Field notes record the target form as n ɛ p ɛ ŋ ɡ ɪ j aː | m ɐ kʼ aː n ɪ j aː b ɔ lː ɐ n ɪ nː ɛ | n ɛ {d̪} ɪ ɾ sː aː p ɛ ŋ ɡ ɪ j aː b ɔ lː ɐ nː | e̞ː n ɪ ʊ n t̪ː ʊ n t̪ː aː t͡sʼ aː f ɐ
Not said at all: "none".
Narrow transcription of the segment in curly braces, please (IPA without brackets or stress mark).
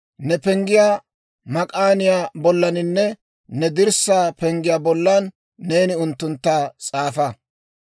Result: d̪